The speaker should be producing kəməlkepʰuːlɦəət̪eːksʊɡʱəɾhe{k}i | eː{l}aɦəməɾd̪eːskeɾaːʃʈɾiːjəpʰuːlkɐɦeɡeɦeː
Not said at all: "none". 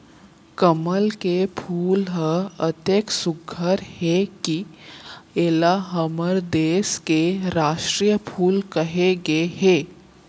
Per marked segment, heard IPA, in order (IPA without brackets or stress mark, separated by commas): k, l